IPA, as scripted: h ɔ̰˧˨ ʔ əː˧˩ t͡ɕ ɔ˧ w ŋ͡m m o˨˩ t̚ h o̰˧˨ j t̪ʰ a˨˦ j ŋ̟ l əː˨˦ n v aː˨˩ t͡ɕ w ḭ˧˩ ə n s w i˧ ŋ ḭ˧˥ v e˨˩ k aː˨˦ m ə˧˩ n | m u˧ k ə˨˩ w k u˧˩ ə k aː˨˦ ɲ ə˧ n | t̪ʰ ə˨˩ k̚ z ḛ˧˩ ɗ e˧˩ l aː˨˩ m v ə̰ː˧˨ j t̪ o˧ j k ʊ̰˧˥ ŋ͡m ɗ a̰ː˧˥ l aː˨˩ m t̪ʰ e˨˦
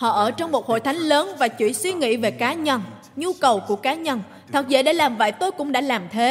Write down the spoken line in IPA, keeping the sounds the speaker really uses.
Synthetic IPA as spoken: h ɔ̰˧˨ ʔ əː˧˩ t͡ɕ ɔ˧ w ŋ͡m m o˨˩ t̚ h o̰˧˨ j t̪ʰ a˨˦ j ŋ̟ l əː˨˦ n v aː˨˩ t͡ɕ w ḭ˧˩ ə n s w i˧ ŋ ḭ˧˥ v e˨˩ k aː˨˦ ɲ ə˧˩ n | ɲ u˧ k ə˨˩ w k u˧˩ ə k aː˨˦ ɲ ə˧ n | t̪ʰ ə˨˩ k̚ z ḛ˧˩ ɗ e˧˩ l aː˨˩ m v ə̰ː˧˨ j t̪ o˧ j k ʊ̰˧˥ ŋ͡m ɗ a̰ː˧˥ l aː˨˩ m t̪ʰ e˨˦